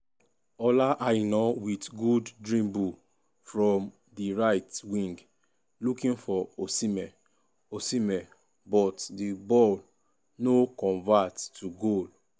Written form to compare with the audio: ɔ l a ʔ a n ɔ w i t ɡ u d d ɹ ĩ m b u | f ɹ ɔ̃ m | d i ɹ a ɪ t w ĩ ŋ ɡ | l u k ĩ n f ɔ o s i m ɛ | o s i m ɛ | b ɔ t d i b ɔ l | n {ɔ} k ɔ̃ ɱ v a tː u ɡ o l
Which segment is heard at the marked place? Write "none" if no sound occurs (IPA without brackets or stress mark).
o